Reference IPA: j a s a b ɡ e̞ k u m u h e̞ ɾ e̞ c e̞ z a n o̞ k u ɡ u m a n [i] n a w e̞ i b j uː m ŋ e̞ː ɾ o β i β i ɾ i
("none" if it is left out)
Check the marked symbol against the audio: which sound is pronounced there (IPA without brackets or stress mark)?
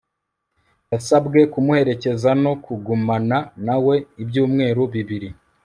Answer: a